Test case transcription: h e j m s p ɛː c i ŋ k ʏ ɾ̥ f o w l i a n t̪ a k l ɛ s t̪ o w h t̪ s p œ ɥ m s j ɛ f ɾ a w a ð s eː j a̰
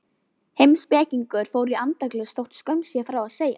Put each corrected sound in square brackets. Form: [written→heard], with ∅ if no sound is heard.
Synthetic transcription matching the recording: h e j m s p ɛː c i ŋ k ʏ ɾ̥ f o w [l→ɾ] i a n t̪ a k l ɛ s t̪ o w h t̪ s [p→k] œ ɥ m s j ɛ f ɾ a w a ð s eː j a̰